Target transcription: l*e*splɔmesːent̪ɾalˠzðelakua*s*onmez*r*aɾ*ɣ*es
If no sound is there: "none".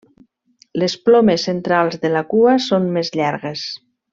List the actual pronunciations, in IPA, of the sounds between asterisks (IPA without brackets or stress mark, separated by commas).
e, s, ʎ, ɣ